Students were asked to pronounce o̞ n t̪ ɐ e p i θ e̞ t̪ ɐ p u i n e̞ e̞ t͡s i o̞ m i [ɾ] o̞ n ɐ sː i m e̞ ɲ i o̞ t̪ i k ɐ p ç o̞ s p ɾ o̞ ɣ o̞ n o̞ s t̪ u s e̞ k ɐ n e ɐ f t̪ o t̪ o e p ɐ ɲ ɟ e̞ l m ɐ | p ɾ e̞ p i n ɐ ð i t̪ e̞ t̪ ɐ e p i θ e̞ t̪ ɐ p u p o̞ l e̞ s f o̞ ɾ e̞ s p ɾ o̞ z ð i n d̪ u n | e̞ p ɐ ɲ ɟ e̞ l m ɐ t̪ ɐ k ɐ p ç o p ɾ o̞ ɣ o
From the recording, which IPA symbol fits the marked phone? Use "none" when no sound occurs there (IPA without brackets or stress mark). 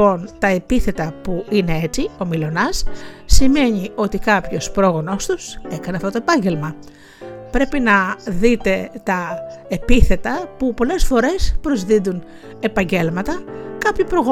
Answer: l